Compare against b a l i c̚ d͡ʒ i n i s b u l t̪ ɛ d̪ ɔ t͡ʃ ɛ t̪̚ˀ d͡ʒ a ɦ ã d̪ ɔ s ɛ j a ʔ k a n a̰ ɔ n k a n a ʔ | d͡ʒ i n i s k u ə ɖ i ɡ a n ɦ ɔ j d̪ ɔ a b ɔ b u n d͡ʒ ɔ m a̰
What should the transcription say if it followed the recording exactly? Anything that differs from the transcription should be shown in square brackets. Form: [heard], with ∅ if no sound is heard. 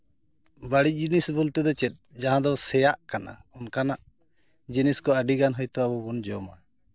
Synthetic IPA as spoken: b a [ɽ] i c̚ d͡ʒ i n i s b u l t̪ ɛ d̪ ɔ t͡ʃ ɛ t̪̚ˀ d͡ʒ a ɦ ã d̪ ɔ s ɛ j a ʔ k a n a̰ ɔ n k a n a ʔ | d͡ʒ i n i s k [ɔ] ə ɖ i ɡ a n ɦ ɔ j [t̪] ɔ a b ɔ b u n d͡ʒ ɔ m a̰